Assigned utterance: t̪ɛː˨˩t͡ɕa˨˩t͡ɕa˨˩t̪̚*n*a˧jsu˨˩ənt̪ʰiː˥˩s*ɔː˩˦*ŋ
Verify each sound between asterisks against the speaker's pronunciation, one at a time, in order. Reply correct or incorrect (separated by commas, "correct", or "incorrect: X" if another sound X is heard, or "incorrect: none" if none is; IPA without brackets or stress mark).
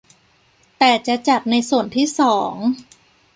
correct, correct